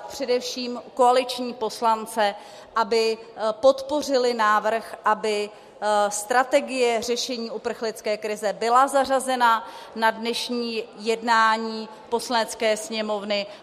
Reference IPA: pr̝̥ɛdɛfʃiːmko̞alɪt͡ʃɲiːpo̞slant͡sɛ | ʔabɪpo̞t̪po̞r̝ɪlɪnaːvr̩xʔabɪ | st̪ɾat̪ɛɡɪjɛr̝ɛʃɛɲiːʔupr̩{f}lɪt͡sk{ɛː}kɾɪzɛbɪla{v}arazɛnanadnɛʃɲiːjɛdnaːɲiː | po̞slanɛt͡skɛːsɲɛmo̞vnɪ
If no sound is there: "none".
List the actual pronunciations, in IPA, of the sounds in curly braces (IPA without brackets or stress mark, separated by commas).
x, ɛː, z